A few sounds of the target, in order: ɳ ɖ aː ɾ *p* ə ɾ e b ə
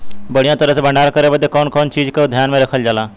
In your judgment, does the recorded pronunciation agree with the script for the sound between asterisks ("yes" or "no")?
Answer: no